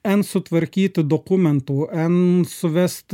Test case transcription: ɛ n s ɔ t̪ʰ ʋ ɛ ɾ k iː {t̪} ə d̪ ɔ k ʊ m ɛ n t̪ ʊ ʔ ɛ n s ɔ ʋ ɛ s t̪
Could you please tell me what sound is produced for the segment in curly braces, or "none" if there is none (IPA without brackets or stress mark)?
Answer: t̪